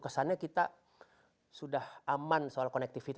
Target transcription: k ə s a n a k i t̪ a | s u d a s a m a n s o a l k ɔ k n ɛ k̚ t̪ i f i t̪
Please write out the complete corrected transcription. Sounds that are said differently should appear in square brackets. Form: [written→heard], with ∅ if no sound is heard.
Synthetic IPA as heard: k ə s a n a k i t̪ a | s u d a [s→h] a m a n s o a l k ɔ [k→∅] n ɛ k̚ t̪ i f i t̪